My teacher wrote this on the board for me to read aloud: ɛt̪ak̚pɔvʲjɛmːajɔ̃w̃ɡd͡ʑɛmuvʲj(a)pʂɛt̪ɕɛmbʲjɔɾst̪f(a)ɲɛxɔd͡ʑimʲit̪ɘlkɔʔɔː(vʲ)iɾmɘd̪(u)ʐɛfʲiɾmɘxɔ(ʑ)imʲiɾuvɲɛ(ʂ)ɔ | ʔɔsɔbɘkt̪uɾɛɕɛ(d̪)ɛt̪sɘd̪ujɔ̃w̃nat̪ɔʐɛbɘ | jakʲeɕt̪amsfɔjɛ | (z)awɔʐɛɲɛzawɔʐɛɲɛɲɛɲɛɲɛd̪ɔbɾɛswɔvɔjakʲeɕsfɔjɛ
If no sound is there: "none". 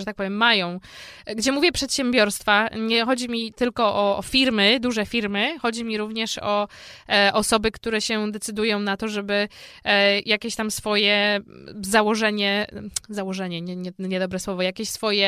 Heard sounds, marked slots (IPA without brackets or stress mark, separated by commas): ɛ, a, fʲ, u, d͡ʑ, ʂ, d̪, z